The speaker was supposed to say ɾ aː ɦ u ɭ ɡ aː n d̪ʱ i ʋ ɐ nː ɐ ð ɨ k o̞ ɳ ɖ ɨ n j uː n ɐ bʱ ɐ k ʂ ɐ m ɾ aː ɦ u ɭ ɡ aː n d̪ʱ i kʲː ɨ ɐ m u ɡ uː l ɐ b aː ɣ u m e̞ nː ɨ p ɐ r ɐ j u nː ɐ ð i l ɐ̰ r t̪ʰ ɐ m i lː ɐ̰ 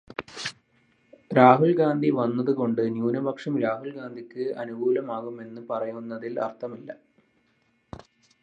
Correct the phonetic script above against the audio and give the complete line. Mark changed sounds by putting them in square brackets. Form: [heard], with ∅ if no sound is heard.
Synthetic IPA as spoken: ɾ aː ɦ u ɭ ɡ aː n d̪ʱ i ʋ ɐ nː ɐ ð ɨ k o̞ ɳ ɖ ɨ n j uː n ɐ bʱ ɐ k ʂ ɐ m ɾ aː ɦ u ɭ ɡ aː n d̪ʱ i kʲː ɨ ɐ [n] u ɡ uː l ɐ [m] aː ɣ u m e̞ nː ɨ p ɐ r ɐ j u nː ɐ ð i l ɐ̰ r t̪ʰ ɐ m i lː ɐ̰